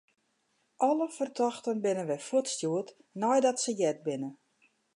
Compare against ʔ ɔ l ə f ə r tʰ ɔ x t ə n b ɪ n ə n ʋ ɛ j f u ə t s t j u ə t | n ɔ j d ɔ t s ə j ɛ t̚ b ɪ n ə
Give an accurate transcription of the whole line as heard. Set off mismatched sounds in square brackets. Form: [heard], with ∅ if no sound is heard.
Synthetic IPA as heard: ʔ ɔ l ə f ə r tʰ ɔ x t ə n b ɪ n ə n ʋ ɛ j f u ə t s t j u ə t | n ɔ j d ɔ t s ə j ɛ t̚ b ɪ n ə

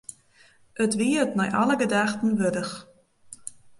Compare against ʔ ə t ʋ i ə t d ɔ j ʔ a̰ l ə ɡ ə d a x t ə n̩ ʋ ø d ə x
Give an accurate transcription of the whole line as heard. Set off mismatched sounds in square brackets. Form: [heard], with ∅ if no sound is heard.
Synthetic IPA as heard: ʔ ə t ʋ i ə t [n] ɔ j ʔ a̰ l ə ɡ ə d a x t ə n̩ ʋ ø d ə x

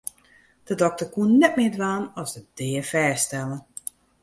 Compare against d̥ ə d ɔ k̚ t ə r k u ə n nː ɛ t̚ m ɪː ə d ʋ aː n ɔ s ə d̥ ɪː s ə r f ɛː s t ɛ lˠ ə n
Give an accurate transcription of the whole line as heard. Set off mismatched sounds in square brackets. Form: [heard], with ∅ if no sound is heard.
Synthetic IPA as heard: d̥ ə d ɔ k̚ t ə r k u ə n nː ɛ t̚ m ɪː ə d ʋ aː n ɔ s ə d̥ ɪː [∅] ə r f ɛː s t ɛ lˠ ə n

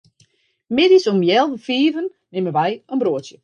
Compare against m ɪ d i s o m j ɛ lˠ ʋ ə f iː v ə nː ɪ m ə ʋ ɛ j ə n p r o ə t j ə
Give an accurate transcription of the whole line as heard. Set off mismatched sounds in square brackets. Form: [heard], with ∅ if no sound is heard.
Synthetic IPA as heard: m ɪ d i s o m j ɛ lˠ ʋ ə f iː v ə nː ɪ m ə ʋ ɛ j ə n [b] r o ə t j ə

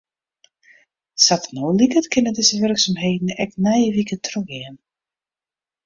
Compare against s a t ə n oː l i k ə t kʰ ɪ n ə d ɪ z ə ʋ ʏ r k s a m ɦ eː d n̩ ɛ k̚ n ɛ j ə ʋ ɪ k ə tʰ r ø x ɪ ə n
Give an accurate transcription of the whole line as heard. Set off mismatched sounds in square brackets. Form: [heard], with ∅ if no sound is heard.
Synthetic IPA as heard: s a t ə n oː l i k ə t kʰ ɪ n ə d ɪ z ə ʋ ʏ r k s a m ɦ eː d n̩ ɛ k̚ n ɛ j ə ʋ [i] k ə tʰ r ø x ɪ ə n

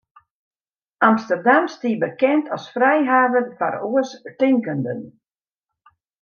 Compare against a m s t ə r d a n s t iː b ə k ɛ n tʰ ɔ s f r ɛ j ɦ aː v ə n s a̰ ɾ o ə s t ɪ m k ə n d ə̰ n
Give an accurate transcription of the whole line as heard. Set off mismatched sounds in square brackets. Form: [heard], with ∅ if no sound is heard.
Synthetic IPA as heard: a m s t ə r d a [m] s t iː b ə k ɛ n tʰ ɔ s f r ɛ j ɦ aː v ə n [f] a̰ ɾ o ə s t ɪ [ŋ] k ə n d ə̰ n

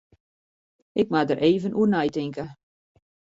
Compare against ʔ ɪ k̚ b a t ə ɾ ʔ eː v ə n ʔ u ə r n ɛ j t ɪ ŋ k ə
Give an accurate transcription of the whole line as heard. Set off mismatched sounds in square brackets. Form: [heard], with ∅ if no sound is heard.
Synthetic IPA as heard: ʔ ɪ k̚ [m] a [d] ə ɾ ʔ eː v ə n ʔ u ə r n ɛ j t ɪ ŋ k ə

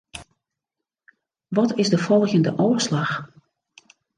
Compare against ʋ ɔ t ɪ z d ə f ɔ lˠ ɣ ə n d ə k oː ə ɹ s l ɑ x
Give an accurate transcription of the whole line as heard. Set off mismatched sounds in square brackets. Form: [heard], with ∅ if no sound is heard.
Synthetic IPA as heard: ʋ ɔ t ɪ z d ə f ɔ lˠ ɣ ə n d ə [ʔ] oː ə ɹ s l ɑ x

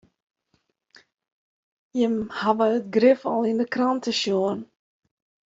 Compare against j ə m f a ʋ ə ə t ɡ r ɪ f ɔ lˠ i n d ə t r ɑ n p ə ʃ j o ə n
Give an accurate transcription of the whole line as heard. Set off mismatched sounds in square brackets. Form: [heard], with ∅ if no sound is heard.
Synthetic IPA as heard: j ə m [h] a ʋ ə ə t ɡ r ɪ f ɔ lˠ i n d ə [k] r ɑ n [t] ə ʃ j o ə n

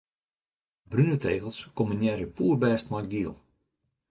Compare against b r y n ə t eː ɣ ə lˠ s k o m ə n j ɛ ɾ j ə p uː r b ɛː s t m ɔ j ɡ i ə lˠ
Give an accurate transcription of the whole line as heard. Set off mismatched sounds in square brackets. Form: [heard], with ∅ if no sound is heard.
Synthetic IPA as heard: b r y n ə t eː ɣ ə lˠ s k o m ə n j ɛ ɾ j ə p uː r b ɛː s t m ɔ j ɡ i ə lˠ

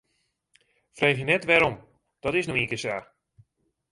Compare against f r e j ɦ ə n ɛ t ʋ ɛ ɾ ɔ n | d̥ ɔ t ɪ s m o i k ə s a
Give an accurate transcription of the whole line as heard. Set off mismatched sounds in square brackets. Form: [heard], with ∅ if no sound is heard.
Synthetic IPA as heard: f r e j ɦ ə n ɛ t ʋ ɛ ɾ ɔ [m] | d̥ ɔ t ɪ s [n] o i k ə s a

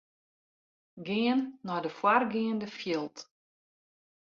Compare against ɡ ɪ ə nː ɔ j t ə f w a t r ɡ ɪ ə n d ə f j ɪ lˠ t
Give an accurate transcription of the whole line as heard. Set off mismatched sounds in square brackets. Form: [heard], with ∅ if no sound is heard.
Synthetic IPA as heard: ɡ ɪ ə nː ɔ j [d] ə f w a [∅] r ɡ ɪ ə n d ə f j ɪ lˠ t

